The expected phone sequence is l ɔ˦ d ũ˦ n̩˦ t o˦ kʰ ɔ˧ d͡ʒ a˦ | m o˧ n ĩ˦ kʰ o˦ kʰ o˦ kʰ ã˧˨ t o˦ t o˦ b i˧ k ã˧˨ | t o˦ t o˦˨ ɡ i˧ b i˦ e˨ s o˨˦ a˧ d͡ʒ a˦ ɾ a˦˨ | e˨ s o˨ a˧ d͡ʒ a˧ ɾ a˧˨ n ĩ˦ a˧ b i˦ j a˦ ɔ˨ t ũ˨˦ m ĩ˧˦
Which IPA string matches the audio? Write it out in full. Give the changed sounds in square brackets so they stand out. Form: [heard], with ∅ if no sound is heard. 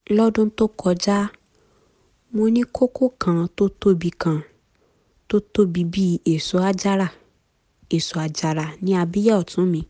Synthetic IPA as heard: l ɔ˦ d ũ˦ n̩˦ t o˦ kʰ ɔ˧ d͡ʒ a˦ | m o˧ n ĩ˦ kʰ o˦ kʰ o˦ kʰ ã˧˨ t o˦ t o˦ b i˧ k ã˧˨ | t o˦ t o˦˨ [b] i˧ b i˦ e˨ s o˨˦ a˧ d͡ʒ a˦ ɾ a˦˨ | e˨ s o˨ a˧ d͡ʒ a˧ ɾ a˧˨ n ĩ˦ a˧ b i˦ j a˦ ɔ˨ t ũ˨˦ m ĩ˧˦